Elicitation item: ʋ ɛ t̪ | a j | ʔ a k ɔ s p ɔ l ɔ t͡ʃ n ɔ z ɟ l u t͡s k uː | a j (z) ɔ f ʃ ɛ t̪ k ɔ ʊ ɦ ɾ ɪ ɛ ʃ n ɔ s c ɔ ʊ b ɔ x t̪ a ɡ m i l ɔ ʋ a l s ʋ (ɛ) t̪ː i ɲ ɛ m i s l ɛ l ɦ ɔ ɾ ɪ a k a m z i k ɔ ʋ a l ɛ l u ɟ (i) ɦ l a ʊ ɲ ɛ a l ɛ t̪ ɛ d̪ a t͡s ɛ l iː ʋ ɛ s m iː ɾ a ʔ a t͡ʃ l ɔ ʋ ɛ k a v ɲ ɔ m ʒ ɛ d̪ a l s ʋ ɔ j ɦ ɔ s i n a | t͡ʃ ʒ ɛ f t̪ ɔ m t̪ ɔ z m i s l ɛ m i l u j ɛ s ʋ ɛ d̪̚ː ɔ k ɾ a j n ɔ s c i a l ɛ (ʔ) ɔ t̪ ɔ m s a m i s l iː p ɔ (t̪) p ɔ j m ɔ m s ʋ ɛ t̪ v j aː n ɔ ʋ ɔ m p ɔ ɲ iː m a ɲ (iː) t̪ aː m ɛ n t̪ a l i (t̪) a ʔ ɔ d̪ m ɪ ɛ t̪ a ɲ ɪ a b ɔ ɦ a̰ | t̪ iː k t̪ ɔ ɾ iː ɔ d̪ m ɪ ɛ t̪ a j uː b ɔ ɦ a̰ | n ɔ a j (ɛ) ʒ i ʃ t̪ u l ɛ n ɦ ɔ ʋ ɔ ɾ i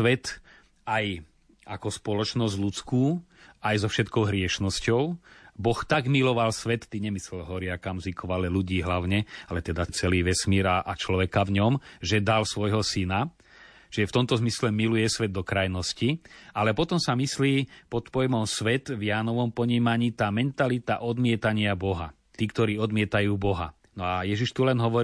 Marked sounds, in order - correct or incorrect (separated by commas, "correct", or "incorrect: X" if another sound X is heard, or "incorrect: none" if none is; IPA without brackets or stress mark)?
correct, correct, incorrect: iː, incorrect: p, correct, correct, correct, correct